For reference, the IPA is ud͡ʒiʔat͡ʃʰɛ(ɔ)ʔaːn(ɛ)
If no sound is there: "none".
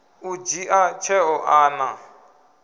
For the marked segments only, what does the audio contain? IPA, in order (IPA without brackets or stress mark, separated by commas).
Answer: ɔ, a